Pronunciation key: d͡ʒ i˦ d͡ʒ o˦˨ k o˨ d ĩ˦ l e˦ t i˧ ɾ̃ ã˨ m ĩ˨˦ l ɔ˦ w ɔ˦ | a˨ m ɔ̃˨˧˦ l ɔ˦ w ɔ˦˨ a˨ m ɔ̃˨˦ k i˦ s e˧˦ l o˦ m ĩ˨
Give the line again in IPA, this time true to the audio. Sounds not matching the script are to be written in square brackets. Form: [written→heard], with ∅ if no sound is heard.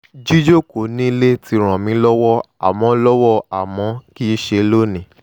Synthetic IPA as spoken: d͡ʒ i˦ d͡ʒ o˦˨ k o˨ [d→n] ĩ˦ l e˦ t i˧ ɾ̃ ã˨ m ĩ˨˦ l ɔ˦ w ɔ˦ | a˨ m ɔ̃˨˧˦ l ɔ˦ w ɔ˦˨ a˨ m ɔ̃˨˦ k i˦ [s→ʃ] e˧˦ l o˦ [m→n] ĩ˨